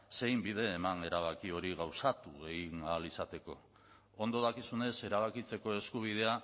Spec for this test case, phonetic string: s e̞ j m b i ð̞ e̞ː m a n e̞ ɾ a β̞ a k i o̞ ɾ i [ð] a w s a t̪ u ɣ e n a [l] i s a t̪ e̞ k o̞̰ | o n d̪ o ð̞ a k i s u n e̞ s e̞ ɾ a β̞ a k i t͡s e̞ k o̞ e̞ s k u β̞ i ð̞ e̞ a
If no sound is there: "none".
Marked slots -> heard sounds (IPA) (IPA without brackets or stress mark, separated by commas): ɣ, l